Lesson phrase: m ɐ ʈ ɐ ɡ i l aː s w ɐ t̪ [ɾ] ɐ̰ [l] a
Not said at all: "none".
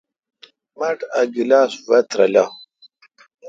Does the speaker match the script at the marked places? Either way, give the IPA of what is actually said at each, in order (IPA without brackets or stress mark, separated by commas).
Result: ɾ, l